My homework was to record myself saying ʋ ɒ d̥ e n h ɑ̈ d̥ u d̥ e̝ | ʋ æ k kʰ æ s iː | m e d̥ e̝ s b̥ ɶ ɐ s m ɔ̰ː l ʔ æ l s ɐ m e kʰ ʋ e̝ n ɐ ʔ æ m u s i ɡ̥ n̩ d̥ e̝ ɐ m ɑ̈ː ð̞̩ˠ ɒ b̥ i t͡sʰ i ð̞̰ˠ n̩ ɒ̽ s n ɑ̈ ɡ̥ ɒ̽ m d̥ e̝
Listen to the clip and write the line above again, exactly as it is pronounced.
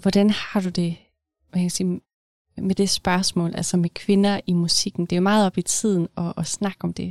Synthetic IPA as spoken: ʋ ɒ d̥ æ n h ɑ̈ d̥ u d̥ e̝ | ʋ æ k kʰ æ s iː | m e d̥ e̝ s b̥ ɶ ɐ s m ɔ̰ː l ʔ æ l s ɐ m e kʰ ʋ e̝ n ɐ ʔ i m u s i ɡ̥ n̩ d̥ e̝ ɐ m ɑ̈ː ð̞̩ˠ ɒ b̥ i t͡sʰ i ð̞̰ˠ n̩ ɒ̽ s n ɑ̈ ɡ̥ ɒ̽ m d̥ e̝